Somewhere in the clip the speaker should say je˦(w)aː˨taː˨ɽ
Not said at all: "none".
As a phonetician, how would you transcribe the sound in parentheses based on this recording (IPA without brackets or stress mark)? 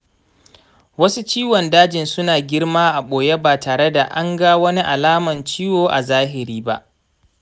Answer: b